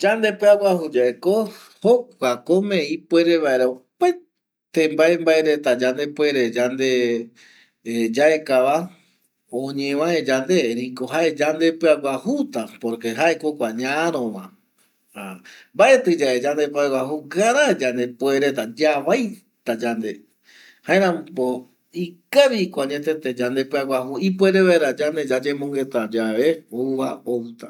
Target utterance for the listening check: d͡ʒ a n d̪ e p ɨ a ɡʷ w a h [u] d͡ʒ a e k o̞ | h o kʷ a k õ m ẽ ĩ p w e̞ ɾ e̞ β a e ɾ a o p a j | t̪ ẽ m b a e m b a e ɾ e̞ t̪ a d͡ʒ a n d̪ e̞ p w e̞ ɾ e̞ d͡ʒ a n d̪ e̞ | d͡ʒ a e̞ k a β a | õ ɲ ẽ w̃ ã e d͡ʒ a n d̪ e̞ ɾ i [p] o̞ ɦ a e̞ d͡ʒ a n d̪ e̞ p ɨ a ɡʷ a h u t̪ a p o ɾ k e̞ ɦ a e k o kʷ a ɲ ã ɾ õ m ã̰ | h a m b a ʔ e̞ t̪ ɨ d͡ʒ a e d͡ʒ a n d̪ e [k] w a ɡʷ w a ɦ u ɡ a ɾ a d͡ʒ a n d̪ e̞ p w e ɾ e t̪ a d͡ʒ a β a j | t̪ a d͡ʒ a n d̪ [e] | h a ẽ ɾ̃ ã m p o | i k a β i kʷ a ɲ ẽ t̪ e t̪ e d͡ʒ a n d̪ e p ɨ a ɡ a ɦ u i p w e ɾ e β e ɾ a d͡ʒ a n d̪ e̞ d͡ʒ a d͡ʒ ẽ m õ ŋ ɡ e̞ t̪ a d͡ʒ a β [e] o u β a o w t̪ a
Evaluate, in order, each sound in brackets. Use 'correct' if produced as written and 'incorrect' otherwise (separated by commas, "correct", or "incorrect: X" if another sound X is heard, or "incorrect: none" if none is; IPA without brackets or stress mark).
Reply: correct, incorrect: k, incorrect: p, correct, correct